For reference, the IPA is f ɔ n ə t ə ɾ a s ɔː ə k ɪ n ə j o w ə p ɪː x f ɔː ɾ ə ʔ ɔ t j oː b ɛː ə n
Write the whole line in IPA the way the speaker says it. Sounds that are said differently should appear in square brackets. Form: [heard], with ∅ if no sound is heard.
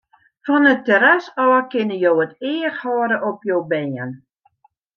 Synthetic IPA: f ɔ n ə t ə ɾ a s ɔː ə k ɪ n ə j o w ə [t] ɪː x [h] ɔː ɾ ə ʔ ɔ [p] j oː b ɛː ə n